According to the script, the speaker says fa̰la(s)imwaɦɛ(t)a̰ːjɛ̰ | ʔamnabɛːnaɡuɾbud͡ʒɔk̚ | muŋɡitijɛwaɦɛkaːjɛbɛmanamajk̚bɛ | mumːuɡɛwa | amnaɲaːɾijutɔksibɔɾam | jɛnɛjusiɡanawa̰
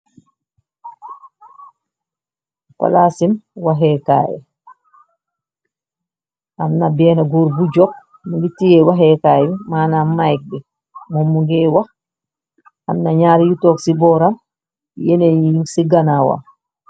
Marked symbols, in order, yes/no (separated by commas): yes, no